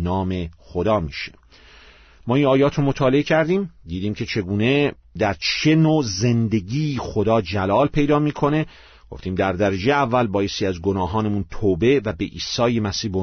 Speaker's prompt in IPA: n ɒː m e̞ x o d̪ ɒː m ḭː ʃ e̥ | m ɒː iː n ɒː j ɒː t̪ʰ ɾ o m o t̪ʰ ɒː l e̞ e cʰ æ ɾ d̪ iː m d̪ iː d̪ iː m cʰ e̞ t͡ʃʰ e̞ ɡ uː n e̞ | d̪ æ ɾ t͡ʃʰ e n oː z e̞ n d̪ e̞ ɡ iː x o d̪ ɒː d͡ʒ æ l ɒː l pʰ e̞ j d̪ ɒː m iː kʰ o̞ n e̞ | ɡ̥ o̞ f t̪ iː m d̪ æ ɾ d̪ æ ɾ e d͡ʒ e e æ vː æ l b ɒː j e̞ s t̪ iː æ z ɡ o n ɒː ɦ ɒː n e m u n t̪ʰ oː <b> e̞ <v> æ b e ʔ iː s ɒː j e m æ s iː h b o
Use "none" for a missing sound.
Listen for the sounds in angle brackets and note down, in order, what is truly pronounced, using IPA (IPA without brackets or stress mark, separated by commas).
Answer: b, v